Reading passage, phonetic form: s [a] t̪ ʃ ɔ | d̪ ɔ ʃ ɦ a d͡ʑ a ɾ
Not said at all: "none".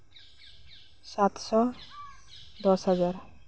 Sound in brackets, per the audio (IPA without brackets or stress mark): a